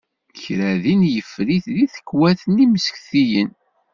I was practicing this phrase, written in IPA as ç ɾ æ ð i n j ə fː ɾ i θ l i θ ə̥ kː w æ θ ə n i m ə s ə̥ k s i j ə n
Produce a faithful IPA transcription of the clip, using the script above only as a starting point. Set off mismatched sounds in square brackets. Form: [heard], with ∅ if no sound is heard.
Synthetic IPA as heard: ç ɾ æ ð i n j ə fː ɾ i θ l i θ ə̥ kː w æ θ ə n i m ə s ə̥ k [θ] i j ə n

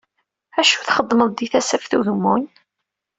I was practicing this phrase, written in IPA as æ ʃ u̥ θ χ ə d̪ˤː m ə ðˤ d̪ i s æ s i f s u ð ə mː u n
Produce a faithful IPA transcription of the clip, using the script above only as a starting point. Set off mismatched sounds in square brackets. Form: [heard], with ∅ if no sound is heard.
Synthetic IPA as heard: æ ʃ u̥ θ χ ə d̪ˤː m ə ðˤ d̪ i [θ] æ s [æ] f [θ] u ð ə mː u n

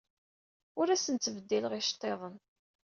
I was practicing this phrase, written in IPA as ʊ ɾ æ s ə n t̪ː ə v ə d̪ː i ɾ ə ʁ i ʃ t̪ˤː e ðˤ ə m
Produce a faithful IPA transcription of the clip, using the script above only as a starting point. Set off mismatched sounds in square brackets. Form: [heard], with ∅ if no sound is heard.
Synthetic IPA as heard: ʊ ɾ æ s ə n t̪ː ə v ə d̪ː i [l] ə ʁ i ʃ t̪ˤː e ðˤ ə [n]

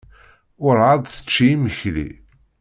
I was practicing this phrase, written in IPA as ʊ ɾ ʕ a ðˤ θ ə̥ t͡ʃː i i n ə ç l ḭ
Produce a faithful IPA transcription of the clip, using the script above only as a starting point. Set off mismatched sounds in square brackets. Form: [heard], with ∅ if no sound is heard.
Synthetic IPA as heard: ʊ ɾ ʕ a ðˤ θ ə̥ t͡ʃː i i [m] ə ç l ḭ

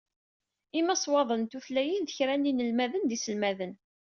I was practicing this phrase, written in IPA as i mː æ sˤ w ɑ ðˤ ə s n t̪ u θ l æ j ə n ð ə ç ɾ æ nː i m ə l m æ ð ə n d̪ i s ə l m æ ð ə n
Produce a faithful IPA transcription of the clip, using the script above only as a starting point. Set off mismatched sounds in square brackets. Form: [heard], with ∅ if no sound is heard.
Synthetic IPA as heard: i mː æ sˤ w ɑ ðˤ ə [∅] n t̪ u θ l æ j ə n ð ə ç ɾ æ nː i [n] ə l m æ ð ə n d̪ i s ə l m æ ð ə n

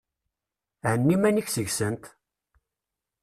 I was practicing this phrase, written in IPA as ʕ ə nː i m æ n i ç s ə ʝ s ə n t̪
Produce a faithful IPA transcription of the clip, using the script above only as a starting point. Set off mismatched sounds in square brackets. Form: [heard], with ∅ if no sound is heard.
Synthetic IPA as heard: ʕ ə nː i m æ n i ç s ə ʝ s ə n t̪

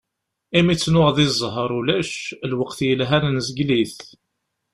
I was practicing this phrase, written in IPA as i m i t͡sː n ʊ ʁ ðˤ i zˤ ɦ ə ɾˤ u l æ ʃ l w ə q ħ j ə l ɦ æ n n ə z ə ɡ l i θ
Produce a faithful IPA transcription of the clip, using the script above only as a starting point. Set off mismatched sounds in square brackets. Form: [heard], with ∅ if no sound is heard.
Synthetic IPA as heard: i m i t͡sː n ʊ ʁ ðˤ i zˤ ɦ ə ɾˤ u l æ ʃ l w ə q [θ] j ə l ɦ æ n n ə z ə ɡ l i θ

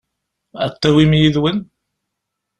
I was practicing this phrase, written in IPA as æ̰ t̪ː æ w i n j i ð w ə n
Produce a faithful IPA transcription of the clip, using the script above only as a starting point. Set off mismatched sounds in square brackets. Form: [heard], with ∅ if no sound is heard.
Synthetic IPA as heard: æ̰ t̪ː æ w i [m] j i ð w ə n

